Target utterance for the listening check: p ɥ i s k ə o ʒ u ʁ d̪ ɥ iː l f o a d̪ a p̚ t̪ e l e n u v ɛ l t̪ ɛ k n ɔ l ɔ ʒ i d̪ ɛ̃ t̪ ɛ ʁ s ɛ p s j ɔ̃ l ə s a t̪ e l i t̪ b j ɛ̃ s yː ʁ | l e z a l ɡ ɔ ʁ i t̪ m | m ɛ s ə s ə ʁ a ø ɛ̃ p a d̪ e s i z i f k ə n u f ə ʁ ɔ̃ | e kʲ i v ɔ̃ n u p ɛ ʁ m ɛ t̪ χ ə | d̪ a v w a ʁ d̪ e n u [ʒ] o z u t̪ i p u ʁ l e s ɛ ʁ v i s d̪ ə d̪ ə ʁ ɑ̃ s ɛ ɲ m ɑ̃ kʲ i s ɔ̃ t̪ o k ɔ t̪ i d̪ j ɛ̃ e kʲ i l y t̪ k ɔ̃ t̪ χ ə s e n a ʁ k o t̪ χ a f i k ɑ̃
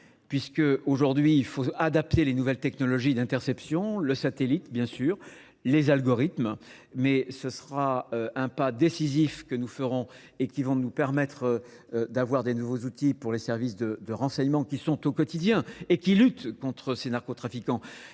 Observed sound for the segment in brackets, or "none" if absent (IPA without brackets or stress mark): v